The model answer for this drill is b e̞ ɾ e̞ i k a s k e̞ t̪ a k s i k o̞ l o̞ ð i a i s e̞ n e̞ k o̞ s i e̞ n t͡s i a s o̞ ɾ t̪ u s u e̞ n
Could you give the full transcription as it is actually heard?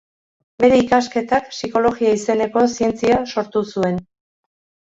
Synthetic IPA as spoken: b e̞ ɾ e̞ i k a s k e̞ t̪ a k s i k o̞ l o̞ ɣ i a i s e̞ n e̞ k o̞ s i e̞ n t͡s i a s o̞ ɾ t̪ u s u e̞ n